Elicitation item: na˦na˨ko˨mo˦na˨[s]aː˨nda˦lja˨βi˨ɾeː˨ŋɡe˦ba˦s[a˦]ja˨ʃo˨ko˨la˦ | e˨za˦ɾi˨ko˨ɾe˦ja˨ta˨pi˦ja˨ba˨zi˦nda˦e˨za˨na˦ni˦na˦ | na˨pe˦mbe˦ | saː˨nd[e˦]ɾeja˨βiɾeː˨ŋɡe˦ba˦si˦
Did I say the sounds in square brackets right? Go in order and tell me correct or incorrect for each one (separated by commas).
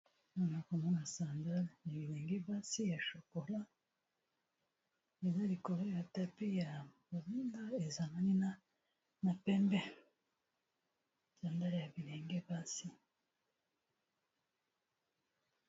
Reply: correct, incorrect, incorrect